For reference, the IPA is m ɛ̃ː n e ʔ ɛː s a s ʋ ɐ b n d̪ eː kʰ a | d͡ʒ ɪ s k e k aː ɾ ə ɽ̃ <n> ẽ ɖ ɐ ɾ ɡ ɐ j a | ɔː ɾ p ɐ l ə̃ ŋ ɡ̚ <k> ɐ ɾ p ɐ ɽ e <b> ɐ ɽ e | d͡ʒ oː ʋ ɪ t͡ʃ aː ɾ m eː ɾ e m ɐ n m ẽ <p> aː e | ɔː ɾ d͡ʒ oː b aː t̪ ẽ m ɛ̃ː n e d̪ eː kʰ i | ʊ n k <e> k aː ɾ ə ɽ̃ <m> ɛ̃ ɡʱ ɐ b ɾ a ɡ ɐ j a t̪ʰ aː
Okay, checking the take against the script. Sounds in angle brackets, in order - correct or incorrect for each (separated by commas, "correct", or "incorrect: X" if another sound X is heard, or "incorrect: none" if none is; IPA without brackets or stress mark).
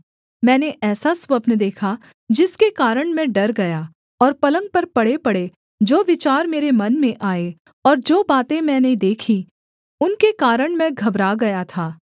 incorrect: m, incorrect: p, incorrect: p, incorrect: ʔ, correct, correct